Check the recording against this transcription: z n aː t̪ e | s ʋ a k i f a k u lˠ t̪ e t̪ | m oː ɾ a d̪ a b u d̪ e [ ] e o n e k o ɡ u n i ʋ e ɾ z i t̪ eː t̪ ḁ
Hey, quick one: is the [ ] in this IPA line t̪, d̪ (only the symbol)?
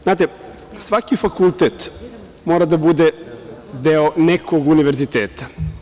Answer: d̪